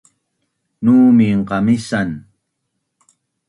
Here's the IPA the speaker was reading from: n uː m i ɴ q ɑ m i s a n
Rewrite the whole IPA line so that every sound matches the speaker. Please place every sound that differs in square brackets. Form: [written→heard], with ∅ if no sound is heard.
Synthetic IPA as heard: n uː m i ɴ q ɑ m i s a n

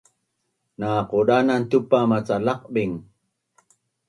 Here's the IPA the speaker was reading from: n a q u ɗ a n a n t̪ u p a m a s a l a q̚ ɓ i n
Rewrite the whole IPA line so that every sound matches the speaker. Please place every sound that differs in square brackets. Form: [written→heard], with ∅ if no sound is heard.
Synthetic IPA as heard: n a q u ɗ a n a n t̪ u p a m a [s→t͡s] a l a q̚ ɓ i [n→ŋ]

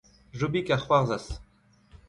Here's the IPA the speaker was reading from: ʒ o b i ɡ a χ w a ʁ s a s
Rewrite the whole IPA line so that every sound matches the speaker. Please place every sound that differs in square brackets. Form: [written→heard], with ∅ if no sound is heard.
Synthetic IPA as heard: ʒ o b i [ɡ→k] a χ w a ʁ [s→z] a s

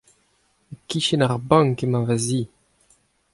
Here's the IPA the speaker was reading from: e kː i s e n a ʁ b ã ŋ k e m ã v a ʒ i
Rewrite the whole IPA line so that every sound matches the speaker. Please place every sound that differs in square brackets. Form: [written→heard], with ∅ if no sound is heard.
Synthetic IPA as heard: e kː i [s→ʃ] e n a ʁ b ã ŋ k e m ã v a [ʒ→z] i

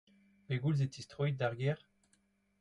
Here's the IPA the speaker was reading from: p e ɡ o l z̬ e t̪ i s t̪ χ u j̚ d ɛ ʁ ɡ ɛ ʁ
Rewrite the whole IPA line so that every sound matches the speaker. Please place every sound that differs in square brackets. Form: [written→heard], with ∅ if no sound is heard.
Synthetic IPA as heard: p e ɡ [o→u] l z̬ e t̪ i s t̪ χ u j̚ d [ɛ→a] ʁ ɡ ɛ ʁ

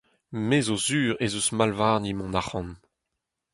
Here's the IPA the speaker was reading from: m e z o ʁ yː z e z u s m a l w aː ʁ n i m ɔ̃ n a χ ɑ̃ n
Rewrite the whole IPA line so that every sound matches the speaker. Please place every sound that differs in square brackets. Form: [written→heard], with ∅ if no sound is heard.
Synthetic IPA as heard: m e z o [ʁ→z] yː [z→ʁ] e z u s m a l [w→v] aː ʁ n i m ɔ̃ n a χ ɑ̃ n

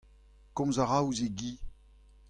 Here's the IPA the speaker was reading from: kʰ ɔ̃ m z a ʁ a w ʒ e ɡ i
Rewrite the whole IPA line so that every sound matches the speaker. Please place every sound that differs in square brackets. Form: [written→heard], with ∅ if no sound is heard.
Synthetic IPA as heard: [kʰ→k] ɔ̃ m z a ʁ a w [ʒ→z] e ɡ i

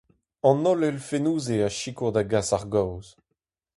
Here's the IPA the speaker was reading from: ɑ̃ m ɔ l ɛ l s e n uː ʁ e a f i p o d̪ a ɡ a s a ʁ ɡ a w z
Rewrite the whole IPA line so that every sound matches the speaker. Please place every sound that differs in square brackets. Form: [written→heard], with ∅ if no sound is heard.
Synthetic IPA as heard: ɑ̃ [m→n] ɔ l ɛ l [s→f] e n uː [ʁ→z] e a [f→ʃ] i [p→k] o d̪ a ɡ a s a ʁ ɡ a w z

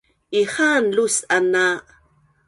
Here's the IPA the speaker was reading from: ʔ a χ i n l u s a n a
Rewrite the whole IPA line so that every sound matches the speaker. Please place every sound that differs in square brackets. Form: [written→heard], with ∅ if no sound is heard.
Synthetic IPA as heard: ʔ [a→i] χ [i→a] n l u s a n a

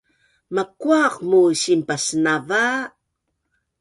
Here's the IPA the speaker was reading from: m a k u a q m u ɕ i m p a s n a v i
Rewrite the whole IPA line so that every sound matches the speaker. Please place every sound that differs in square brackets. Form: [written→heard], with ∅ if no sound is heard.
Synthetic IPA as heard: m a k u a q m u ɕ i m p a s n a v [i→a]

